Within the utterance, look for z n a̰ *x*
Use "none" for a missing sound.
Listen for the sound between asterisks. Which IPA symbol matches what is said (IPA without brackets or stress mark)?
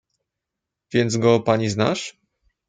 ʂ